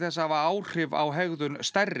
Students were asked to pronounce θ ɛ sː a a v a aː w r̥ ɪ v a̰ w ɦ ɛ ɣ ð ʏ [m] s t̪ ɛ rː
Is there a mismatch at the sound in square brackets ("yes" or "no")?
yes